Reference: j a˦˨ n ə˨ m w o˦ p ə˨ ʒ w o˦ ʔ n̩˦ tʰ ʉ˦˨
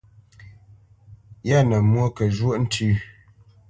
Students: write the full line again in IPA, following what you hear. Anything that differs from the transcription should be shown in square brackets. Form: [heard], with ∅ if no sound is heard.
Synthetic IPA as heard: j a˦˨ n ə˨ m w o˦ [k] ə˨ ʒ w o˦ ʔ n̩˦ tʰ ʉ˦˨